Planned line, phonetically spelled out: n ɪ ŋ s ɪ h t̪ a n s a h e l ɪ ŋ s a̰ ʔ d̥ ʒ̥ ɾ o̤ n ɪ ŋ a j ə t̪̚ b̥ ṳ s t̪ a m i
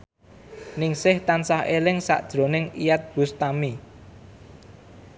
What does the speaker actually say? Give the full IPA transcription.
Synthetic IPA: n ɪ ŋ s ɪ h t̪ a n s a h e l ɪ ŋ s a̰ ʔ d̥ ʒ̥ ɾ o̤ n ɪ ŋ i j a t̪̚ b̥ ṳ s t̪ a m i